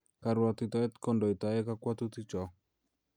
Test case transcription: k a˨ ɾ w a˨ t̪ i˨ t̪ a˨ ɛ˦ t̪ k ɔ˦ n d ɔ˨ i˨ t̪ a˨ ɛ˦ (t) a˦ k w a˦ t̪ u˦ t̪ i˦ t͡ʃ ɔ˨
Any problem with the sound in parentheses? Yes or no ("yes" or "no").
yes